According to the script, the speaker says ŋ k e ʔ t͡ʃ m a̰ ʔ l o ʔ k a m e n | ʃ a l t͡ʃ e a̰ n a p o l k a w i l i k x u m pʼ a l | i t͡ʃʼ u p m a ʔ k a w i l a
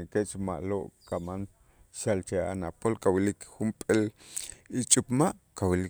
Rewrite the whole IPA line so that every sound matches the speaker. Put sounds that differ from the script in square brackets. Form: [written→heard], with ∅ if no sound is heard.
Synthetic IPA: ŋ k e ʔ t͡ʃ m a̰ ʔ l o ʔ k a m [e→a] n | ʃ a l t͡ʃ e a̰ n a p o l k a w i l i k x u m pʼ [a→e] l | i t͡ʃʼ u p m a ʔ k a w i l [a→i]